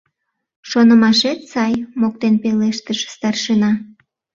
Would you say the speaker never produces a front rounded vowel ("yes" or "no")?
yes